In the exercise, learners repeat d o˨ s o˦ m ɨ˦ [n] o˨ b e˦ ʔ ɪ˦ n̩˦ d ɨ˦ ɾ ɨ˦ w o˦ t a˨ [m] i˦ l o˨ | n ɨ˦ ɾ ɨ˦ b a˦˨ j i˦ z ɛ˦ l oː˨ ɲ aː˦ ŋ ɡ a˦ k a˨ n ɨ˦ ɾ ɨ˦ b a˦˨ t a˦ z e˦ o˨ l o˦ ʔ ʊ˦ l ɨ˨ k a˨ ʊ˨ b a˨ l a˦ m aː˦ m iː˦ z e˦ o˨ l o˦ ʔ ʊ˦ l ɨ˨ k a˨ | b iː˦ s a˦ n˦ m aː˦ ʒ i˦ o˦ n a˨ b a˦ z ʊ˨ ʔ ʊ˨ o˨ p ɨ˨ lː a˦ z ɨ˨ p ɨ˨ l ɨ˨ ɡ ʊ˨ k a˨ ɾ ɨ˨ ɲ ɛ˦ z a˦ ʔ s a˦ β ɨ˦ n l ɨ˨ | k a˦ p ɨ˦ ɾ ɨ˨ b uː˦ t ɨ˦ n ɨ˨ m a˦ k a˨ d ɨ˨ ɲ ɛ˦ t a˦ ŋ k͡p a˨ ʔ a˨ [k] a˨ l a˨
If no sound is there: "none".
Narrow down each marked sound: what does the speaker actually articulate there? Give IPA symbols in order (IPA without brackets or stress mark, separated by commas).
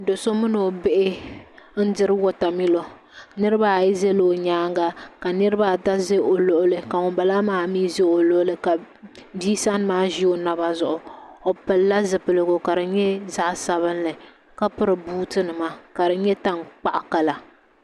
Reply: n, m, k